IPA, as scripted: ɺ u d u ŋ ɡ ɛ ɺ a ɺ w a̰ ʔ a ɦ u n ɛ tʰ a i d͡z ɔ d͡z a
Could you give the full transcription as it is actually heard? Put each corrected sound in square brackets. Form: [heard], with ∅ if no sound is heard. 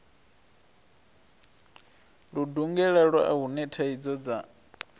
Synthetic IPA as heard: ɺ u d u ŋ ɡ ɛ ɺ a ɺ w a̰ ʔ a ɦ u n ɛ tʰ a i d͡z ɔ d͡z a